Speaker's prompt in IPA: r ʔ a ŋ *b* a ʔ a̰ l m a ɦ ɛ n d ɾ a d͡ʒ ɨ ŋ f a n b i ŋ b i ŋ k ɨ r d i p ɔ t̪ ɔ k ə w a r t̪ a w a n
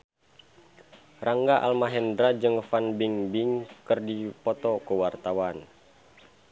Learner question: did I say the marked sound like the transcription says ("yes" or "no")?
no